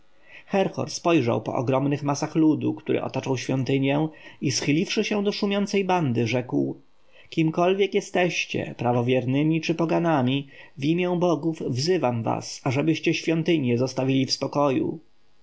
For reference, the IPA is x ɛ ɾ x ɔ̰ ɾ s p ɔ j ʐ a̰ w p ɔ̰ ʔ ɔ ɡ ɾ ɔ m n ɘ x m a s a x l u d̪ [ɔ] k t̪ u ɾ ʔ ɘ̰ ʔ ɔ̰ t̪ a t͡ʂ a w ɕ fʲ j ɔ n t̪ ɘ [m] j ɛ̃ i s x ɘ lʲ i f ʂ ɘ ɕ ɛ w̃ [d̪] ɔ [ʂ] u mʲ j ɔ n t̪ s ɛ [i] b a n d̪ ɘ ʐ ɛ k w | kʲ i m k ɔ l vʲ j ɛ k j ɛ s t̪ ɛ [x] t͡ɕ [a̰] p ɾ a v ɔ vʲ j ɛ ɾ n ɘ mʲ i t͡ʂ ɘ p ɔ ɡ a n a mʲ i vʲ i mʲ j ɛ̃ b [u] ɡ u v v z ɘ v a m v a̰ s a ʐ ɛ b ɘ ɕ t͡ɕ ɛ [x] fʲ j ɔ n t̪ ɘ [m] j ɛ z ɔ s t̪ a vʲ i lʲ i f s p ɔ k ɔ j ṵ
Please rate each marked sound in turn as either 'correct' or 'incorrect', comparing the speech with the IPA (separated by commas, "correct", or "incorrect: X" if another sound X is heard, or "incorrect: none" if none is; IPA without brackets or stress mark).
incorrect: u, incorrect: ɲ, correct, correct, incorrect: j, incorrect: ɕ, incorrect: ɛ̰, incorrect: ɔ, incorrect: ɕ, incorrect: ɲ